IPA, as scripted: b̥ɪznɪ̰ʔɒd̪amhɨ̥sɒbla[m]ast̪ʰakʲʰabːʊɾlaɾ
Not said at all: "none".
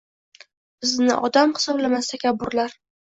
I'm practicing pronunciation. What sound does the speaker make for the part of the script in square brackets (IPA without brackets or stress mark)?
m